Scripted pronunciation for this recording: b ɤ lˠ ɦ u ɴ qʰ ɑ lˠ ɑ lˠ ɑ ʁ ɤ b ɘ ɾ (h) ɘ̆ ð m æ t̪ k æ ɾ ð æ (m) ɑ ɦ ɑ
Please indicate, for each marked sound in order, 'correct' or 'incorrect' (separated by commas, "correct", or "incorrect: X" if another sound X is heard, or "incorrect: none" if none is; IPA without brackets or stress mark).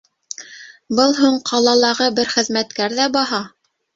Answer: incorrect: χ, incorrect: b